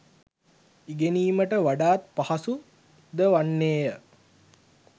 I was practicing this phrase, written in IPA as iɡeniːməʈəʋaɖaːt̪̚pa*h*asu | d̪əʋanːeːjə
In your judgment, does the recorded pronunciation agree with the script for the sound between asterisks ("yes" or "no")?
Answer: yes